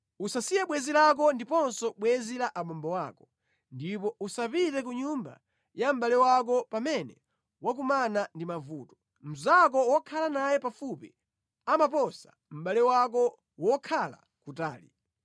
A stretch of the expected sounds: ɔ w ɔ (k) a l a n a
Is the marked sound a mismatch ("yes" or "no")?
yes